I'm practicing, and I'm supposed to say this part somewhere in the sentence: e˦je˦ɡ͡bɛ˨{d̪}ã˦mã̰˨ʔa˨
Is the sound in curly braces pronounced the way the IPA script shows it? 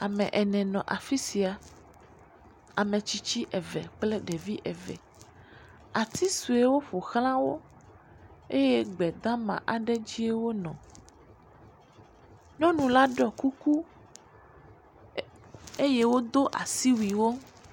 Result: yes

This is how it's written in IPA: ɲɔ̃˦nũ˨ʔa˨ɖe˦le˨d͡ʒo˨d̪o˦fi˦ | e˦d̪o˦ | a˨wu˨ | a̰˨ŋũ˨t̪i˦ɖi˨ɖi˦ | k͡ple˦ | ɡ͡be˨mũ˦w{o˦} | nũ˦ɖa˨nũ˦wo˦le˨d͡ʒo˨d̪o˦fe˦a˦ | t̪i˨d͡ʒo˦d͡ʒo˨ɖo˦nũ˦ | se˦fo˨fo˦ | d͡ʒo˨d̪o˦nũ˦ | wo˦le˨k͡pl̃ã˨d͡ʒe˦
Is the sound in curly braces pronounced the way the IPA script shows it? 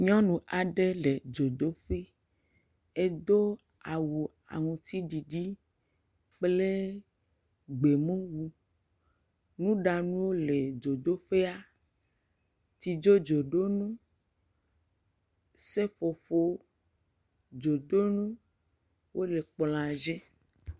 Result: no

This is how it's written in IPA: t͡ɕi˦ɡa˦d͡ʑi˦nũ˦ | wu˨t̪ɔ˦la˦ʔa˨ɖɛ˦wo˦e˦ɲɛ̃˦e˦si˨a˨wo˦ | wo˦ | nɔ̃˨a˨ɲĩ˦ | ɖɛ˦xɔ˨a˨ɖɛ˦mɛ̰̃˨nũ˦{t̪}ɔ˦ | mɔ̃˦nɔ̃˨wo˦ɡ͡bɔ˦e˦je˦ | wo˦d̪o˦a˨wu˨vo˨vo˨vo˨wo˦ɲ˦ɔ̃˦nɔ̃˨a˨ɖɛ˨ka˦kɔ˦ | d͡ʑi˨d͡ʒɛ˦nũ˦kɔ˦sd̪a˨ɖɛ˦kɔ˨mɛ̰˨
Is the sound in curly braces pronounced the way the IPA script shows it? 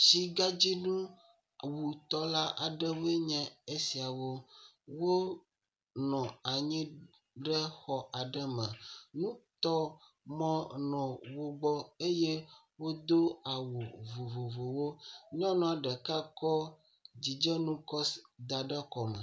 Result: yes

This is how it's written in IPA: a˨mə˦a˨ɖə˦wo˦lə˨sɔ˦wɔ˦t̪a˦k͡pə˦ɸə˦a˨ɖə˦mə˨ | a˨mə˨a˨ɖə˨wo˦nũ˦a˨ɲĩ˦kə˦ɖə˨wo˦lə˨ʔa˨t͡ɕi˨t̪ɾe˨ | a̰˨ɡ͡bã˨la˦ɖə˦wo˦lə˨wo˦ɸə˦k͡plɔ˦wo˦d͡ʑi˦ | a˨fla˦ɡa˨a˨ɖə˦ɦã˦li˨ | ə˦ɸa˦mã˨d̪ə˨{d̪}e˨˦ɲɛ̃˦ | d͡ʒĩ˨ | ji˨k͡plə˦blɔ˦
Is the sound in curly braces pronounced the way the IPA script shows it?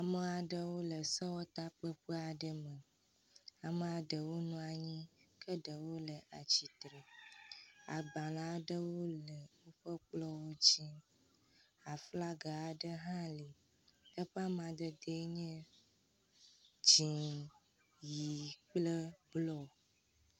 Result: yes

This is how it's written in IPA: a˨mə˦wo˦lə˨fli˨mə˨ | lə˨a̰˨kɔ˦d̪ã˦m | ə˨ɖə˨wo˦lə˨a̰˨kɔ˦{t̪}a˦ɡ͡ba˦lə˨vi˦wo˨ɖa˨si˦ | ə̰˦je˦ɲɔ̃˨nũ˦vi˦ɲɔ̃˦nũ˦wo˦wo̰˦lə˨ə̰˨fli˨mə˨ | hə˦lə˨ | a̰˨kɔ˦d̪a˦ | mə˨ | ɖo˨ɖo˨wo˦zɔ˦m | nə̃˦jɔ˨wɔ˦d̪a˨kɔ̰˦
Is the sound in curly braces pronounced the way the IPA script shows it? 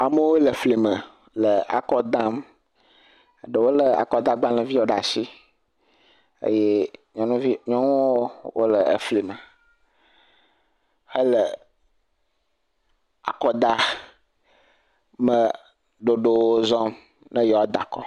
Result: no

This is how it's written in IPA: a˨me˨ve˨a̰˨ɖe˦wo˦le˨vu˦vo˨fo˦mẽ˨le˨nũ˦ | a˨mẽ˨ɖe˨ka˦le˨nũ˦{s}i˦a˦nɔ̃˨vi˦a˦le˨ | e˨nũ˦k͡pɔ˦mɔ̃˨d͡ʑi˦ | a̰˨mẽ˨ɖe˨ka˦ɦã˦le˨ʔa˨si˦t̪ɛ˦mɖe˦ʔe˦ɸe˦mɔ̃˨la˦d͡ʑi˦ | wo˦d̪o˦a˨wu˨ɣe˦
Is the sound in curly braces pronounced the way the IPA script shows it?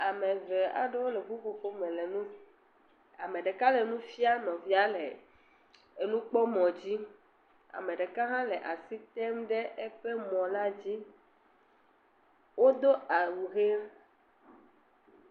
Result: no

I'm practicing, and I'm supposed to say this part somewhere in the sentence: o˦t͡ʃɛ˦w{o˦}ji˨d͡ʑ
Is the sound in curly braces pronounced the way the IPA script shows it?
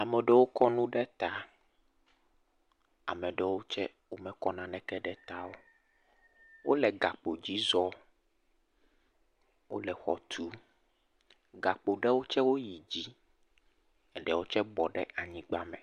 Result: yes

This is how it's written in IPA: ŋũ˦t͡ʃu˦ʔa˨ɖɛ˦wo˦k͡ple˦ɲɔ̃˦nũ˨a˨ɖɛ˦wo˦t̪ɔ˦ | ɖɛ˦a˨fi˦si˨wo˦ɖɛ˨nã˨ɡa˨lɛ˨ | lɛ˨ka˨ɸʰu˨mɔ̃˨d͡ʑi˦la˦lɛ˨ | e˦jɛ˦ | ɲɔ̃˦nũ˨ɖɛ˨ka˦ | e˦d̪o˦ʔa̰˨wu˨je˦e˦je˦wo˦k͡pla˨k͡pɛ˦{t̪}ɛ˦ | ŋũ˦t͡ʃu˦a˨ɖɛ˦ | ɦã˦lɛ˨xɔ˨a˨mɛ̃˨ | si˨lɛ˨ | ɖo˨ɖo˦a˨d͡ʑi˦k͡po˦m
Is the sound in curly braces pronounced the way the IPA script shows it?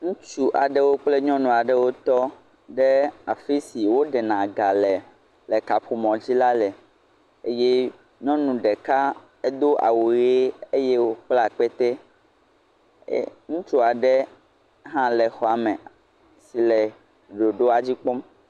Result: yes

